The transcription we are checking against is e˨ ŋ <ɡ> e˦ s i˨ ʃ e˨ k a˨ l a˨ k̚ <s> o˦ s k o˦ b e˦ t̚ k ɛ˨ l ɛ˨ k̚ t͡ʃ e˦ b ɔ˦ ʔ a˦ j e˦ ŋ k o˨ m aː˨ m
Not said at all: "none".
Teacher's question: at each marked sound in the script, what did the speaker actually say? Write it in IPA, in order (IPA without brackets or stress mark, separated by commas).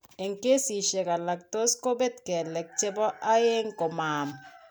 k, t